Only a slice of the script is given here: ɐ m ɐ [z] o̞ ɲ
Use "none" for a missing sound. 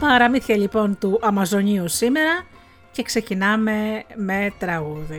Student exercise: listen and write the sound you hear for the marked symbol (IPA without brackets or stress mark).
z